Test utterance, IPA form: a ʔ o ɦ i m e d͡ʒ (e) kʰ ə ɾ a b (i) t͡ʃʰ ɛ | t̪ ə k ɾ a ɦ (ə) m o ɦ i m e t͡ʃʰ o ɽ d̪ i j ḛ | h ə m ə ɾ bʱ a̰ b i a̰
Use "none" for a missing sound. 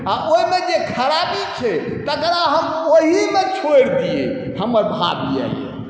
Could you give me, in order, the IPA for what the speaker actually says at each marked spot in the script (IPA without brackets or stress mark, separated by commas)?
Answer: e, i, ə